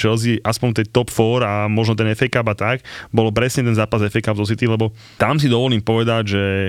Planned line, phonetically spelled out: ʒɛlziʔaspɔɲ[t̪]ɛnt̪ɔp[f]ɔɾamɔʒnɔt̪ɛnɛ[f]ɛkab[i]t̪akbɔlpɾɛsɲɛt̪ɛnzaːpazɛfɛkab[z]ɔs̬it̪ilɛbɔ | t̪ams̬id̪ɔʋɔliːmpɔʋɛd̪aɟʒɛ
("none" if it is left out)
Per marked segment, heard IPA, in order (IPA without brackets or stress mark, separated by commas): t̪, f, f, a, z